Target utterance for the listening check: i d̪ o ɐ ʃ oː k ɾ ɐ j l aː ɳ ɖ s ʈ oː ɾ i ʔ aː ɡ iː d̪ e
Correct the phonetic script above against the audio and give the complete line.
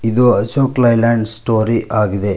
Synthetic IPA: i d̪ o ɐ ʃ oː k l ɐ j l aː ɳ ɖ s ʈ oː ɾ i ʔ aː ɡ i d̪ e